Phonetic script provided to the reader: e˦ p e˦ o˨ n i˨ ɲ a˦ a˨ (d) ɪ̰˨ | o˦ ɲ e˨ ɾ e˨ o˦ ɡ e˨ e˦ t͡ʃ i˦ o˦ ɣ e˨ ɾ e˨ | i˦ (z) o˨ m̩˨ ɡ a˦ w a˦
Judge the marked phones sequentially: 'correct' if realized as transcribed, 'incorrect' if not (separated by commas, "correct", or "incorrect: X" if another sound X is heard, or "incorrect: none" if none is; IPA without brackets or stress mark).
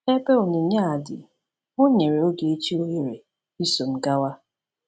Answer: correct, incorrect: s